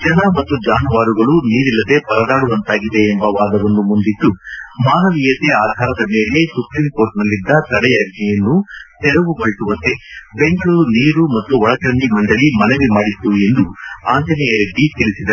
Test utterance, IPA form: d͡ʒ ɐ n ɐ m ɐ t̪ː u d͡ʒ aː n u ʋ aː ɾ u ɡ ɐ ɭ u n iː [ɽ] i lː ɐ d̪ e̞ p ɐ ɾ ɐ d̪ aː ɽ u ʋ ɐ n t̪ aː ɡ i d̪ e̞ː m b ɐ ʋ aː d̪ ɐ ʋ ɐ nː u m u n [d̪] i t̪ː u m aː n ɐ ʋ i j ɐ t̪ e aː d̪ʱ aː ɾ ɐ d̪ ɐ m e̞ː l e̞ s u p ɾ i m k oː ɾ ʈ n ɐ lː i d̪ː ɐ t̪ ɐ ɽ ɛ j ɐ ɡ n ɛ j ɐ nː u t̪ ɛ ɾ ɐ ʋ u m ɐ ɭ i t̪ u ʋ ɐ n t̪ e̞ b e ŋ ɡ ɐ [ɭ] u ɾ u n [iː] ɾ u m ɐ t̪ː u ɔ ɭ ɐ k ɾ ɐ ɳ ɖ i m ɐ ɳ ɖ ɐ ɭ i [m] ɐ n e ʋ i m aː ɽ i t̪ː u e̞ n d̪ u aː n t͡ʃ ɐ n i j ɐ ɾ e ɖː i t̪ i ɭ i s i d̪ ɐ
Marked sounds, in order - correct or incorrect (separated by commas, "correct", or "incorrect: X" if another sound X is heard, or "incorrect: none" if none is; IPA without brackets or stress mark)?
incorrect: ɾ, correct, correct, correct, correct